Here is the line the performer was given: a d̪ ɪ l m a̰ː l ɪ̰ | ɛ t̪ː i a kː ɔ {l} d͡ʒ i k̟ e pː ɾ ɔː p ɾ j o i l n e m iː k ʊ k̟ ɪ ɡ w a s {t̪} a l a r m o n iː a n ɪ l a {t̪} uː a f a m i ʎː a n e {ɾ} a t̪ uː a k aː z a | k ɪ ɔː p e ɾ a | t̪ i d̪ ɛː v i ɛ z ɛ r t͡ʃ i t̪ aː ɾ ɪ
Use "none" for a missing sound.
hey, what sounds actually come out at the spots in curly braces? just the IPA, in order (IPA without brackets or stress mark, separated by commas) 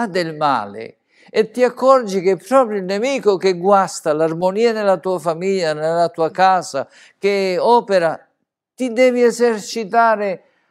r, t̪, t̪, l